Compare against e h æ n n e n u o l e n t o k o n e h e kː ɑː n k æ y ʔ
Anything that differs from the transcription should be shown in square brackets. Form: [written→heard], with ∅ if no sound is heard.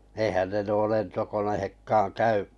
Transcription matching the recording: e h æ n n e n u o l e n t o k o n e h e kː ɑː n k æ y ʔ